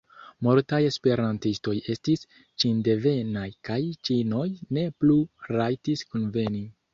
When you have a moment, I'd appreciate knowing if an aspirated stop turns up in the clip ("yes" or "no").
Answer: no